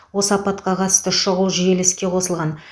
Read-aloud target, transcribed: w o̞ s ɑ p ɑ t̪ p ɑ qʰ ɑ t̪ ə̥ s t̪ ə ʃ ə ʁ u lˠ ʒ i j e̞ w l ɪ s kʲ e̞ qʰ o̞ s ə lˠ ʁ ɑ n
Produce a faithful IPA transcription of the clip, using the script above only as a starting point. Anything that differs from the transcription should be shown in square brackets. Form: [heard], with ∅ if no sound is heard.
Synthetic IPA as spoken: w o̞ s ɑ p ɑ t̪ [q] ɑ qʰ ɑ t̪ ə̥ s t̪ ə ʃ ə ʁ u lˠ ʒ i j e̞ [∅] l ɪ s kʲ e̞ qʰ o̞ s ə lˠ ʁ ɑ n